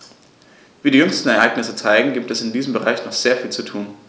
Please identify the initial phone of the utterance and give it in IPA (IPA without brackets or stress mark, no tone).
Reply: v